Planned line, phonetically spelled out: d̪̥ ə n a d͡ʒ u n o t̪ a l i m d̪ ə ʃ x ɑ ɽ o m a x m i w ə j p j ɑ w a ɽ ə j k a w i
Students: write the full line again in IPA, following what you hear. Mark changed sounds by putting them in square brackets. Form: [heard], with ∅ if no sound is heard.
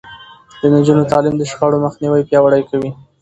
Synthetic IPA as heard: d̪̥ ə n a d͡ʒ u n o t̪ [ɑ] l i m d̪ ə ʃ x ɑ ɽ o m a x [n] i w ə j p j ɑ w a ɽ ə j k a w i